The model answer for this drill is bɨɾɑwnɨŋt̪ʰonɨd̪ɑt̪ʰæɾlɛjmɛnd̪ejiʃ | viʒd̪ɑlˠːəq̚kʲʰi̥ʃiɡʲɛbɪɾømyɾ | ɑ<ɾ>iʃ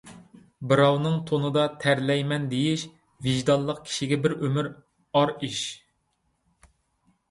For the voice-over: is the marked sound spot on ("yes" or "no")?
yes